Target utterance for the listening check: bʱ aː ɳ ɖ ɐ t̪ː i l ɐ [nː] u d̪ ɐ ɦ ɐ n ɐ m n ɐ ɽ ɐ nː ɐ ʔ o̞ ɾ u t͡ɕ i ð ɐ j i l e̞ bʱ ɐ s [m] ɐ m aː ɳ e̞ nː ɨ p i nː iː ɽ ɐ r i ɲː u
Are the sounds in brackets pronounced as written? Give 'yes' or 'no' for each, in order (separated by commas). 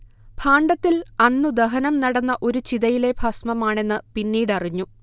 yes, yes